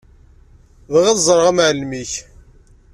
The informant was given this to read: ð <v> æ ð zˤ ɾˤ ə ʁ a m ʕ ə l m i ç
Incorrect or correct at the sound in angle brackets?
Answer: incorrect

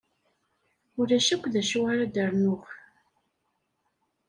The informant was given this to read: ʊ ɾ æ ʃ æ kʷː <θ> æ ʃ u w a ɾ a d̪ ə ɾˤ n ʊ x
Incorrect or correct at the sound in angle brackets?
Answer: incorrect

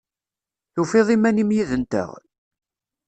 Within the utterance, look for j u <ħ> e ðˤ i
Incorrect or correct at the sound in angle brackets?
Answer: incorrect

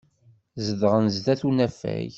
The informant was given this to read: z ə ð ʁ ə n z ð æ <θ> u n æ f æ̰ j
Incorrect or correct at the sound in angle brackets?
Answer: correct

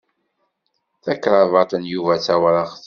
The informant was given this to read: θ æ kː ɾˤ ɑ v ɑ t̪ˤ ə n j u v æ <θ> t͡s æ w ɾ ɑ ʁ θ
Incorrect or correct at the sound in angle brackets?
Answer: incorrect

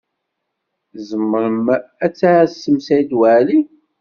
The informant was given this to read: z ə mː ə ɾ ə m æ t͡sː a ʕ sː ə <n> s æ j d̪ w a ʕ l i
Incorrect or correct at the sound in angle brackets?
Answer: incorrect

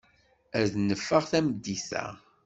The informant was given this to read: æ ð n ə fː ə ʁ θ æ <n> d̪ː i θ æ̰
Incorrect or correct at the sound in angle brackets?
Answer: incorrect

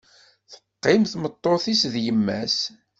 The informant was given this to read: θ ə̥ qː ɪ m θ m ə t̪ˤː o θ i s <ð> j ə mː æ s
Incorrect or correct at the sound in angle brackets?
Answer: correct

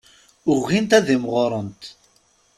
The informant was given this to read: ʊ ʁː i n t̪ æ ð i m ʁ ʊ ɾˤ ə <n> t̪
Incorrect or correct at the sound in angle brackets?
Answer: correct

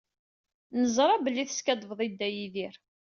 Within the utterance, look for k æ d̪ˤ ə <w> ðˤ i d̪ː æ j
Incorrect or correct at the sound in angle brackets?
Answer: incorrect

